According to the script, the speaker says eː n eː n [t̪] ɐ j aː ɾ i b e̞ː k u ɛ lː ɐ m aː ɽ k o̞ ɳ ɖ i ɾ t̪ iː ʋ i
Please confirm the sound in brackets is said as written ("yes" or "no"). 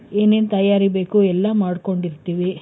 yes